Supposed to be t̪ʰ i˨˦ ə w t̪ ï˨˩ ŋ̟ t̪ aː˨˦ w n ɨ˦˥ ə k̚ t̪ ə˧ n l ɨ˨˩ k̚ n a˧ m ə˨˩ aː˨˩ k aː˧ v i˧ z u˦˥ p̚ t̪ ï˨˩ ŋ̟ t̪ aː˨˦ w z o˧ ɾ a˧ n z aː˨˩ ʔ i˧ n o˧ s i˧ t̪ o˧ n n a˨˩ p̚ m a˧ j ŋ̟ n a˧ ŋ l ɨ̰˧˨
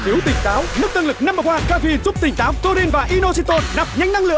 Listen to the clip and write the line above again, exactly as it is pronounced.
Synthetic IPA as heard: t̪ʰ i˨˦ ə w t̪ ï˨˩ ŋ̟ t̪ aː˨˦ w n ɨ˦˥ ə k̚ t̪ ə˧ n l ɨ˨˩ k̚ n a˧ m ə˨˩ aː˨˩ k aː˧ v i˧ z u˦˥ p̚ t̪ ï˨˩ ŋ̟ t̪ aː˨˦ w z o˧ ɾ i˧ n v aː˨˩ ʔ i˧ n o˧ s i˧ t̪ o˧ n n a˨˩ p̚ ɲ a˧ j ŋ̟ n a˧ ŋ l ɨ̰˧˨